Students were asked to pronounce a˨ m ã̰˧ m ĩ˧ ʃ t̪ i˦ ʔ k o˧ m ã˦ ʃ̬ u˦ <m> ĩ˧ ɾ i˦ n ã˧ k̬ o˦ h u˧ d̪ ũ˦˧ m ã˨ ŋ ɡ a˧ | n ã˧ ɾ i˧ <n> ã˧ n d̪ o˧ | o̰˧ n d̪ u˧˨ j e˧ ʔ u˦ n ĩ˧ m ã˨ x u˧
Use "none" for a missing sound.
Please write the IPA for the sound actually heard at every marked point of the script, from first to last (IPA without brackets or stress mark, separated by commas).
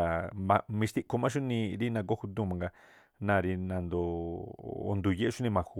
n, n